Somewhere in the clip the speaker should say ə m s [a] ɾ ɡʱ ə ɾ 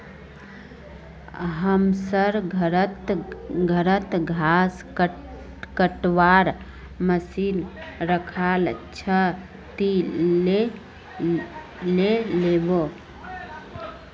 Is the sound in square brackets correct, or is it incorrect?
incorrect